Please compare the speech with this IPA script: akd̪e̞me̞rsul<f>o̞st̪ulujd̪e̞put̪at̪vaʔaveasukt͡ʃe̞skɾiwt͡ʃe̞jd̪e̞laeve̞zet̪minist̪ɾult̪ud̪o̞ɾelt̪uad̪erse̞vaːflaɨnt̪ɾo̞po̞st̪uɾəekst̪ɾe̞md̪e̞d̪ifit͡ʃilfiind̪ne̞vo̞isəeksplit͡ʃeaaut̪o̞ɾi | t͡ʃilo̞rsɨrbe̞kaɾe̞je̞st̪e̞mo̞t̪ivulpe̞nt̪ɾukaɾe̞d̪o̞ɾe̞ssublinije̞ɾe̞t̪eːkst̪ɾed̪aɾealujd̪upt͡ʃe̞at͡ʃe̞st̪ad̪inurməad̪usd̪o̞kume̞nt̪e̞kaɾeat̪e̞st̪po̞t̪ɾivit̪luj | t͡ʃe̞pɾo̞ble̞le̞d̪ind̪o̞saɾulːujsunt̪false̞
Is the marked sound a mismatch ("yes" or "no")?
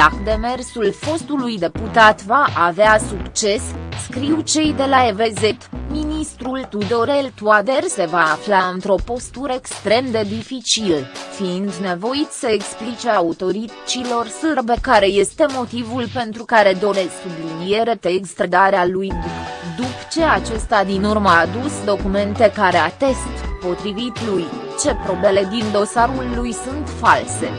no